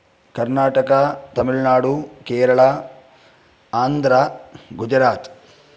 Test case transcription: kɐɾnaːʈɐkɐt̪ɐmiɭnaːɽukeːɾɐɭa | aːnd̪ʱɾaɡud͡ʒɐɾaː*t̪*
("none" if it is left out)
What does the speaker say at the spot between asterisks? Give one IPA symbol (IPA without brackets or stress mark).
t̪